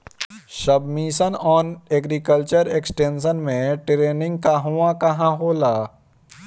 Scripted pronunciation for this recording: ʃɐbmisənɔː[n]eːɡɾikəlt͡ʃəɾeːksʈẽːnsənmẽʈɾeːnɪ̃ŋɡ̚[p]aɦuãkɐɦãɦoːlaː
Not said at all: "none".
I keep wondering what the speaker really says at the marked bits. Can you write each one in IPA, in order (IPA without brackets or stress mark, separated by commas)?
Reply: n, k